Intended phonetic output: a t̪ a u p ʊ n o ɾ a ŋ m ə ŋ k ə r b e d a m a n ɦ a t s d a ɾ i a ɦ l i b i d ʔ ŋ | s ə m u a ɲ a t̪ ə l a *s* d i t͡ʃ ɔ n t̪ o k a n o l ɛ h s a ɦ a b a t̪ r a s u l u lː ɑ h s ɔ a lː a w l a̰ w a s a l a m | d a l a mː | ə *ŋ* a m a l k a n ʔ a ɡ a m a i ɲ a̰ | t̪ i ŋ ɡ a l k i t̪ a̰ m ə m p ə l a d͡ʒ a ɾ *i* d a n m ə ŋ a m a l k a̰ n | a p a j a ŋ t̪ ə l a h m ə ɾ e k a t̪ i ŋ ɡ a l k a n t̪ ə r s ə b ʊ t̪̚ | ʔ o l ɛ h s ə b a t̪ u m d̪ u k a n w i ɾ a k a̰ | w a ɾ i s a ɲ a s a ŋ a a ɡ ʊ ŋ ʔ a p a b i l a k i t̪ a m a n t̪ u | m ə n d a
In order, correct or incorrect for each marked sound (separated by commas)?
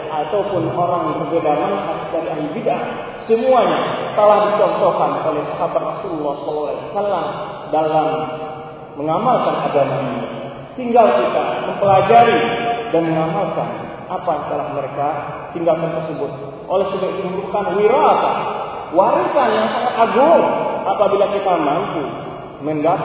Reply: incorrect, correct, correct